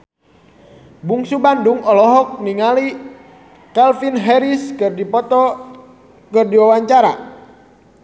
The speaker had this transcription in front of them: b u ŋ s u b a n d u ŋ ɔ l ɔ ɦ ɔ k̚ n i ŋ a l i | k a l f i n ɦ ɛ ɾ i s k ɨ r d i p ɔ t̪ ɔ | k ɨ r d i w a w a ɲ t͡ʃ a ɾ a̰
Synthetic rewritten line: b u ŋ s u b a n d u ŋ ɔ l ɔ ɦ ɔ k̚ n i ŋ a l i | k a l f i n ɦ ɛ ɾ i s k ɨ r d i p ɔ t̪ ɔ | k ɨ r d i w a w a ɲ t͡ʃ a ɾ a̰